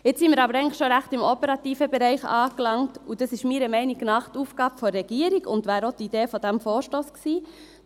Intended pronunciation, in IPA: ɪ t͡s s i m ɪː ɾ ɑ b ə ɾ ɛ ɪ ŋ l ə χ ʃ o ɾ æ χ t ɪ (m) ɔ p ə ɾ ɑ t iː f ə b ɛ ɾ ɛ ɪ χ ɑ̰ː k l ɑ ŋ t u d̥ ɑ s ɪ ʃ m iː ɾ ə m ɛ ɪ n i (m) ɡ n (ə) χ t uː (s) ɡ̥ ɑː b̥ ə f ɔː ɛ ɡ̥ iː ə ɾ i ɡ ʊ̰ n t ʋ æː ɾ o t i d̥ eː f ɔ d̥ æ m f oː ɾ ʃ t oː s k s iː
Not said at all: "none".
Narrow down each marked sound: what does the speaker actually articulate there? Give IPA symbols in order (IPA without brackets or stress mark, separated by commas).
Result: m, none, ɑ, f